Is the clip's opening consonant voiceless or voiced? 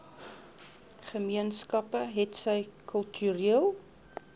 voiceless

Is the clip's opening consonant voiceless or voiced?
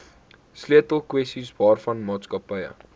voiceless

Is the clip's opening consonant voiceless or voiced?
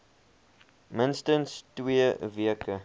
voiced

